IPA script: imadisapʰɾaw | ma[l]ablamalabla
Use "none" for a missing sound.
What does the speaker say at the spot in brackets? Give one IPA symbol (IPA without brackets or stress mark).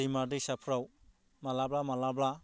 l